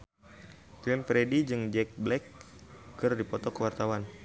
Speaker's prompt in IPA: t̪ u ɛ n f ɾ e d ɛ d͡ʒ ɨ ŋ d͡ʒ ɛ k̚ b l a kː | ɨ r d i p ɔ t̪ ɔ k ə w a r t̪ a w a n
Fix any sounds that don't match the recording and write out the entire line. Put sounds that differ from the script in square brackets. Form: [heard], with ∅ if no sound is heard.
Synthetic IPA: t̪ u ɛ n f ɾ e d [i] d͡ʒ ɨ ŋ d͡ʒ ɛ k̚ b l [ɛ] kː | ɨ r d i p ɔ t̪ ɔ k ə w a r t̪ a w a n